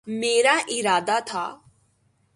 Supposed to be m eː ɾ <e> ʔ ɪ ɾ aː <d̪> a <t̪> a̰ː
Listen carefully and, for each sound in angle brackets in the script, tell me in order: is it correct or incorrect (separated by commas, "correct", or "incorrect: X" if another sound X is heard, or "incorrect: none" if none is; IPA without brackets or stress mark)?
incorrect: a, correct, incorrect: t̪ʰ